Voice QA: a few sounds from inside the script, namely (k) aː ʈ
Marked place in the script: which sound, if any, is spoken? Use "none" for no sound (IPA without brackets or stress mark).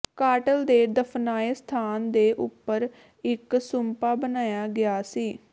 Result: k